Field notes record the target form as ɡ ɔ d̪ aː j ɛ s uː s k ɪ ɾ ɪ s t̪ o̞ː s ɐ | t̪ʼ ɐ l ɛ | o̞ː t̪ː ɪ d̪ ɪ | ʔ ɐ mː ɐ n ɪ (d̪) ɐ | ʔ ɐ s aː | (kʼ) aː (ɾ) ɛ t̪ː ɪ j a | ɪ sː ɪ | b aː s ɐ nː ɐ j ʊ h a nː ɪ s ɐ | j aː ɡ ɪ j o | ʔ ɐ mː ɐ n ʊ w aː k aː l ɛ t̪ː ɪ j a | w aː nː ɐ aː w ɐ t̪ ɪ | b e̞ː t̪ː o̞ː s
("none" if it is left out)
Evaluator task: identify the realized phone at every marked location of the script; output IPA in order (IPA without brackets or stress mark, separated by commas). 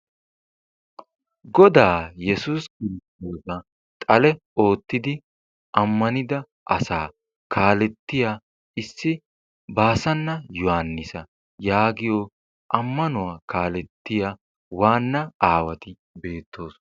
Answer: d̪, k, l